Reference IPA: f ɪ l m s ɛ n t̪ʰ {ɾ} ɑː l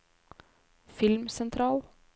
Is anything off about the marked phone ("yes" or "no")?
no